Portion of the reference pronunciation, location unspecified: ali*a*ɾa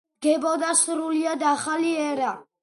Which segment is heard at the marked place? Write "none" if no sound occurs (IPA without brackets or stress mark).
ɛ